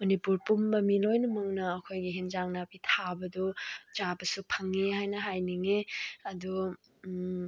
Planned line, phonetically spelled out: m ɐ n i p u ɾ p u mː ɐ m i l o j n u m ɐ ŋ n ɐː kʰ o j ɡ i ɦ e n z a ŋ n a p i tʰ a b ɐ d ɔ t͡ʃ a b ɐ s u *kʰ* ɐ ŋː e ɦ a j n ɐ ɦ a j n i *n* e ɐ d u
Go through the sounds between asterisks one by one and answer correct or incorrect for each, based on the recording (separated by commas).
incorrect, incorrect